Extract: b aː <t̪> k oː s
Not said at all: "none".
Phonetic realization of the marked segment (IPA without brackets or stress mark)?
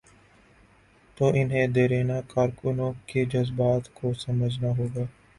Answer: t̪